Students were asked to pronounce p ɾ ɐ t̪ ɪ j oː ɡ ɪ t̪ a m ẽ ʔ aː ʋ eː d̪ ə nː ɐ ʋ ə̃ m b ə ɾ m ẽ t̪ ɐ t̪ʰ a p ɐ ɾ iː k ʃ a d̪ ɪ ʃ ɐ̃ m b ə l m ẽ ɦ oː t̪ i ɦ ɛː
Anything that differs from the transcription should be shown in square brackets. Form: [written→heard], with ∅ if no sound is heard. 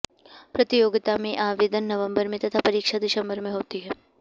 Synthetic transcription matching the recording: p ɾ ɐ t̪ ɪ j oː ɡ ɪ t̪ a m ẽ ʔ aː ʋ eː d̪ ə nː ɐ ʋ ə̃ m b ə ɾ m ẽ t̪ ɐ t̪ʰ a p ɐ ɾ iː k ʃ a d̪ ɪ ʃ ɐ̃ m b ə [l→ɾ] m ẽ ɦ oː t̪ i ɦ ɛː